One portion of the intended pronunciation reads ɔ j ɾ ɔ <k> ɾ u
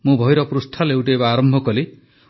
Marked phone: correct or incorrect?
incorrect